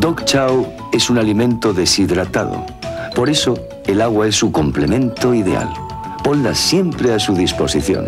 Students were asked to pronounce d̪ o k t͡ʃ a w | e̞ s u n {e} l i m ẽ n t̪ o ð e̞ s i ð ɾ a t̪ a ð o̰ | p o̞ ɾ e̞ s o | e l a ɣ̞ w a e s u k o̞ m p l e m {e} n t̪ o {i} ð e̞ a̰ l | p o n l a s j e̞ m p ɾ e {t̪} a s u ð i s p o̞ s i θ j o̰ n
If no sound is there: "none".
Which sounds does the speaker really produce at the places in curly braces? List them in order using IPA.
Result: a, ẽ, i, none

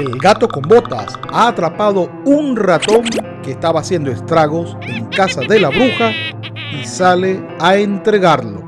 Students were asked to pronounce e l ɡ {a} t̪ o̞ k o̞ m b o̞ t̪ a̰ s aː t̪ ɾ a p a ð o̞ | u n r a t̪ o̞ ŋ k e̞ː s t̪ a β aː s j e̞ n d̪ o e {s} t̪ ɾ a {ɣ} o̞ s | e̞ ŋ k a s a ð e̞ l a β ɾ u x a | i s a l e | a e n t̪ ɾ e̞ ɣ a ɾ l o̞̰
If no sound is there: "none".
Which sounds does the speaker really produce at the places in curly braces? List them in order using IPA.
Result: a, s, ɣ

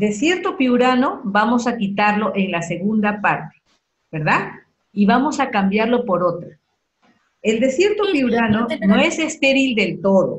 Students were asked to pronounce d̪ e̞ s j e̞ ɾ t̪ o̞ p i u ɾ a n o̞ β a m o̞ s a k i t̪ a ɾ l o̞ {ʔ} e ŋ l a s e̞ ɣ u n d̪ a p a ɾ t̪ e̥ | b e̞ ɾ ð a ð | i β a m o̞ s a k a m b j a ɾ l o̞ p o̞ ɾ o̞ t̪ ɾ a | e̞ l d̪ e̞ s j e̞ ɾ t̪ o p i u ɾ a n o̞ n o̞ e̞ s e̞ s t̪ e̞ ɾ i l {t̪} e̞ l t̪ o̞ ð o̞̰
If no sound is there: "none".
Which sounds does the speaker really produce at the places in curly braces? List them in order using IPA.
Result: ʔ, d̪

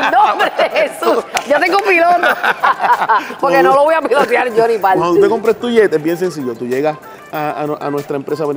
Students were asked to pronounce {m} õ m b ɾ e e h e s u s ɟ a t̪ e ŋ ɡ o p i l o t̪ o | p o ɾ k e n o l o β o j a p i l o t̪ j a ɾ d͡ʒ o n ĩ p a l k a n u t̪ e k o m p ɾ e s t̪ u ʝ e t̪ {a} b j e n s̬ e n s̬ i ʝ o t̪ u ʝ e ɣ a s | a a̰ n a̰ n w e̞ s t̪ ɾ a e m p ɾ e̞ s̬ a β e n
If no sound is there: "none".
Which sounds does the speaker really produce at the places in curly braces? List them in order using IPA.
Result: n, e

